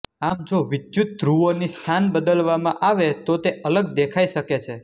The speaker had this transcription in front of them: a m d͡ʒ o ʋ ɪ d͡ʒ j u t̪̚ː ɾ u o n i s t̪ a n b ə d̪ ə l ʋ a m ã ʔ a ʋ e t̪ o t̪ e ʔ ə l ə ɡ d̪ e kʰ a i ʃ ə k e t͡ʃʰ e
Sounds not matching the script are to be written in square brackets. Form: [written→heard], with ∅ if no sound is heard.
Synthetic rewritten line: a m d͡ʒ o ʋ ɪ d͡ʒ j u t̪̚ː ɾ u o n i s [t̪→t̪ʰ] a n b ə d̪ ə l ʋ a m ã ʔ a ʋ e t̪ o t̪ e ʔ ə l ə ɡ d̪ e kʰ a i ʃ ə k e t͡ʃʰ e